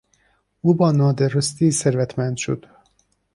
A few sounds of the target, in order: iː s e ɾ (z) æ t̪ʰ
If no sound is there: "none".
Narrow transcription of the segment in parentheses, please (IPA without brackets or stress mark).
v